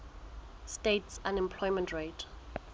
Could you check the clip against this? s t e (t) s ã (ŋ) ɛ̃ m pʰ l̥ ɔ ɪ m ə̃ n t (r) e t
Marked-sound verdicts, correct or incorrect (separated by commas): correct, incorrect, incorrect